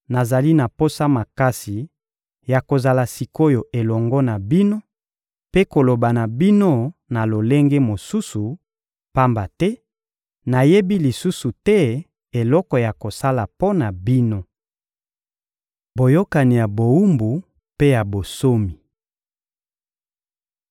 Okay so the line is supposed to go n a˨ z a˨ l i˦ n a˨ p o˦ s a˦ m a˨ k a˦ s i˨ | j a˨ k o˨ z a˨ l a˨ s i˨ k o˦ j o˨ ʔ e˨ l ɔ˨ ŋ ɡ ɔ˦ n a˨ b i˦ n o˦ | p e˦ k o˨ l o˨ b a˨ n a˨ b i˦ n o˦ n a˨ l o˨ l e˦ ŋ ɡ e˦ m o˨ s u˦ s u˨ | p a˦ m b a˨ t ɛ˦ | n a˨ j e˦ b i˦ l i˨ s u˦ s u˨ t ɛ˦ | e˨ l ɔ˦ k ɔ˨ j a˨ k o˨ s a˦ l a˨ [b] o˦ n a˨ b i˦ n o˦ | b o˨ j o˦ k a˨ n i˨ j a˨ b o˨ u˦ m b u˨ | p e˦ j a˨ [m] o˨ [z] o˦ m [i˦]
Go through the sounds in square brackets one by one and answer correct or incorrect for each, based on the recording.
incorrect, incorrect, incorrect, incorrect

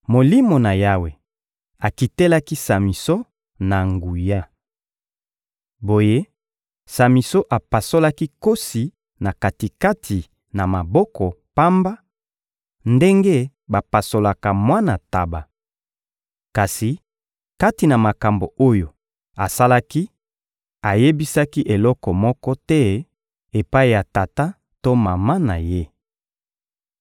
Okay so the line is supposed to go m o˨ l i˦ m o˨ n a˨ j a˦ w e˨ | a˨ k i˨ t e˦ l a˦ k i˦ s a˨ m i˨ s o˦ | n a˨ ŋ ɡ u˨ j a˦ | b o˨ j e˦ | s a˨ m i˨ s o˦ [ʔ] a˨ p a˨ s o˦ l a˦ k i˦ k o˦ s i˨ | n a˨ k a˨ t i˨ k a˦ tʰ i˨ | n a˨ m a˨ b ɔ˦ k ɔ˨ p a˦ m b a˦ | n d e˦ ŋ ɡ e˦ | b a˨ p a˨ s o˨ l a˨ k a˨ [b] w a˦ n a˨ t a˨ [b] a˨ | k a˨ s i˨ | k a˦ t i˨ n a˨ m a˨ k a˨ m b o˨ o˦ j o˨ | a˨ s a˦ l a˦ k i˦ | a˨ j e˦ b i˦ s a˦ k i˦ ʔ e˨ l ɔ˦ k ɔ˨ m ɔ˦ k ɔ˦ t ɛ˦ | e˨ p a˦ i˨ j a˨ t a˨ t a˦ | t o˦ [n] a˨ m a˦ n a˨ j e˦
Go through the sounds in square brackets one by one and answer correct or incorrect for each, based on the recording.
correct, incorrect, correct, incorrect

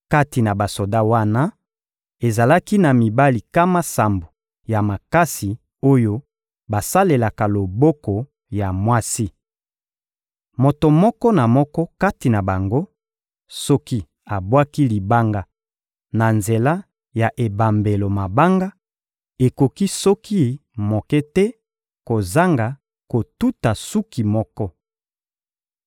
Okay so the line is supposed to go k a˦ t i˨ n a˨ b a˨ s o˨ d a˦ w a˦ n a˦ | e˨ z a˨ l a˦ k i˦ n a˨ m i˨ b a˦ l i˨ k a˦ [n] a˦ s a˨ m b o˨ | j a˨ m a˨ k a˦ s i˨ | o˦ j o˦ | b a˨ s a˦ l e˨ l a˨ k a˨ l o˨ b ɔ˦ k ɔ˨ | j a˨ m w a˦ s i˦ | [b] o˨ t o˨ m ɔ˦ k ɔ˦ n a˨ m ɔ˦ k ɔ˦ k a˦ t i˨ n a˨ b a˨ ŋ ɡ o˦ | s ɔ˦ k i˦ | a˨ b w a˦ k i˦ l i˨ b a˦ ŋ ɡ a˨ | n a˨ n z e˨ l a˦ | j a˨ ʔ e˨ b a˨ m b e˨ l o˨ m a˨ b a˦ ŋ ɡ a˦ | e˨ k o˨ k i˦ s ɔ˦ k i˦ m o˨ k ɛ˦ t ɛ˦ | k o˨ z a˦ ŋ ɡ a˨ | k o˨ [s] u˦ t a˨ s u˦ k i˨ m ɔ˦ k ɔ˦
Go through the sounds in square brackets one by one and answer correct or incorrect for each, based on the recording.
incorrect, incorrect, incorrect

